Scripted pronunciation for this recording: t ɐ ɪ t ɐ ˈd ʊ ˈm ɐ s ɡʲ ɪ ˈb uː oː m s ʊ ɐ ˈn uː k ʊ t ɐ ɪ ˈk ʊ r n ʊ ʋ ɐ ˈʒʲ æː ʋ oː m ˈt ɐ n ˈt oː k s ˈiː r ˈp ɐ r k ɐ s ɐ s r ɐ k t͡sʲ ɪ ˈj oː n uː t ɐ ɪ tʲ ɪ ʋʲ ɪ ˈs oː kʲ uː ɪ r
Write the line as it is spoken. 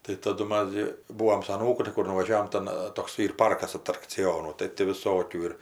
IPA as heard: t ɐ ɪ t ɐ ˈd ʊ ˈm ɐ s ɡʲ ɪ ˈb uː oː m s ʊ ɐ ˈn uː k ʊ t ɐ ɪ ˈk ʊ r n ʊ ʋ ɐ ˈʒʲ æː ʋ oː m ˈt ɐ n ˈt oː k s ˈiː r ˈp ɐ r k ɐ s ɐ t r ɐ k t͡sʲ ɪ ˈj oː n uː t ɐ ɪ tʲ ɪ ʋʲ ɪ ˈs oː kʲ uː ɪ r